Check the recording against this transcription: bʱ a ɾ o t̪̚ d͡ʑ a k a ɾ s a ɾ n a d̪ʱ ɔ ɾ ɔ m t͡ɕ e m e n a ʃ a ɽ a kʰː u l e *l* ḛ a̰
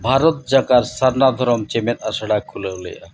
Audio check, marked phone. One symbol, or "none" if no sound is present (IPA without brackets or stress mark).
l